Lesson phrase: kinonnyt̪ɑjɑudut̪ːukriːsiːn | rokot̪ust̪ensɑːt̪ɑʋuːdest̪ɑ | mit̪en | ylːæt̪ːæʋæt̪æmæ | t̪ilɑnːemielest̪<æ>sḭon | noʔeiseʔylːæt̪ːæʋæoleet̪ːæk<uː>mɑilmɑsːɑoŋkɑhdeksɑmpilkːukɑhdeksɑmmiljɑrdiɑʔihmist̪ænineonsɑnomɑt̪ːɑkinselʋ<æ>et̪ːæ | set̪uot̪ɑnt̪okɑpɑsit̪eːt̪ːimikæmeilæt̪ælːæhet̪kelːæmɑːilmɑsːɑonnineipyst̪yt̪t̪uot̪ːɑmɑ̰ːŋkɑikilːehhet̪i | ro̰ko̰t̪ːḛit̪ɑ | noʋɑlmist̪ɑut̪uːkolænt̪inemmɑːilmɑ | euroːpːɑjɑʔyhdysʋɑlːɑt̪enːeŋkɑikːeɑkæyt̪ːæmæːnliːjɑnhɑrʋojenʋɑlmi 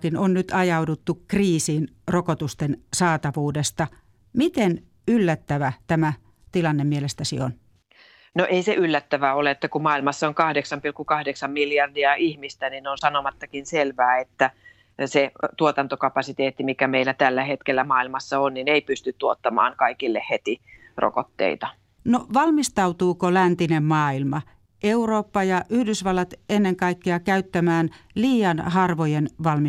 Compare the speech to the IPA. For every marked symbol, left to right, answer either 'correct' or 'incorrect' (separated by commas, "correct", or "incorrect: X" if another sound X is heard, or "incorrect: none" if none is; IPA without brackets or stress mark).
correct, incorrect: u, incorrect: æː